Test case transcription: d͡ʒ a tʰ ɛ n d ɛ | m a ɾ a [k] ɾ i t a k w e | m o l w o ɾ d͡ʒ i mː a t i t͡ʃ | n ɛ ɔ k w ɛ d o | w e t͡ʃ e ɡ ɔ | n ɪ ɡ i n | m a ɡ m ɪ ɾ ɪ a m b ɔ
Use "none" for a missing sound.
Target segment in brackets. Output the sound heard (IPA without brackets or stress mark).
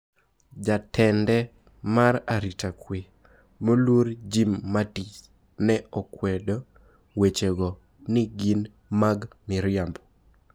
none